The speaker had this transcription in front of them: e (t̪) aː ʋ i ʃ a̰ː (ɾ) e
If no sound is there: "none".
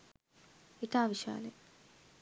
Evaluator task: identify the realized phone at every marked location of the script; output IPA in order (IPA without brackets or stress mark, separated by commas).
t̪, l